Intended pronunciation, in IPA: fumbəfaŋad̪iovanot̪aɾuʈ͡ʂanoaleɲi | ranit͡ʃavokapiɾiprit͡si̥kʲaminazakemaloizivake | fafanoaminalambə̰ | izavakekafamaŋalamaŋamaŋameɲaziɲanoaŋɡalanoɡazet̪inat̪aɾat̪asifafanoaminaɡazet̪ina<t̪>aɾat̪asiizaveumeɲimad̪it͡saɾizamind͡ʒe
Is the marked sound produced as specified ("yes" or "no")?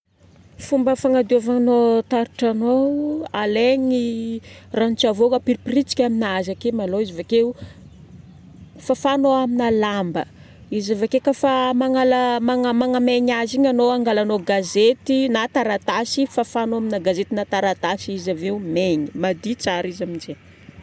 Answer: yes